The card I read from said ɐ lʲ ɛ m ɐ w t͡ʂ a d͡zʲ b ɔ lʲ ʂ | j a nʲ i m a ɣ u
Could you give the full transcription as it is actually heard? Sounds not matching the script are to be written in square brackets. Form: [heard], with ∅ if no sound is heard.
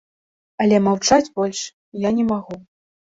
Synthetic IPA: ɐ lʲ ɛ m [a] w t͡ʂ a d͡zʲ b ɔ lʲ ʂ | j a nʲ [ɛ] m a ɣ u